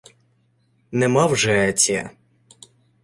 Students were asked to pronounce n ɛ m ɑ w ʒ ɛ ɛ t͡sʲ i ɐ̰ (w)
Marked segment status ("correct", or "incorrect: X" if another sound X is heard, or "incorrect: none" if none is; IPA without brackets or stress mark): incorrect: none